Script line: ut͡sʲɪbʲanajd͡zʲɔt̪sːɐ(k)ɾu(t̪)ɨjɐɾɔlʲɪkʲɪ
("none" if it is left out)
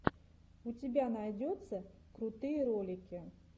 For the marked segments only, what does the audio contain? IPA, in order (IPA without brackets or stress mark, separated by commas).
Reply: k, t̪